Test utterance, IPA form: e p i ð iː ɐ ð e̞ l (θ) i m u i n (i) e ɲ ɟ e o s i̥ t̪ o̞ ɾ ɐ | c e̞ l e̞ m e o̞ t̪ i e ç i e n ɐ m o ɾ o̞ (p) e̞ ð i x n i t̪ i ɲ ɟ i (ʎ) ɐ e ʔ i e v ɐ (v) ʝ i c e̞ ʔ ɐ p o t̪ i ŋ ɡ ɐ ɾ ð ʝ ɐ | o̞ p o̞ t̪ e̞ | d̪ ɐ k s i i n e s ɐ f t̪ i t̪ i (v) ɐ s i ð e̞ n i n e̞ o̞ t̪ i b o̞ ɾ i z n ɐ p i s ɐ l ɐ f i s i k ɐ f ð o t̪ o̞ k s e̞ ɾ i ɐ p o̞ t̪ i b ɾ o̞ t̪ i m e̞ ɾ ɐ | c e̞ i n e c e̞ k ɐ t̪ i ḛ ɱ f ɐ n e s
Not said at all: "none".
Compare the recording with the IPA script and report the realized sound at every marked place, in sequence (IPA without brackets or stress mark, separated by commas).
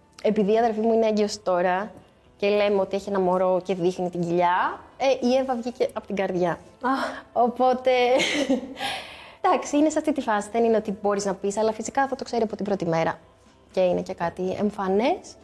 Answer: f, e, c, ʎ, v, f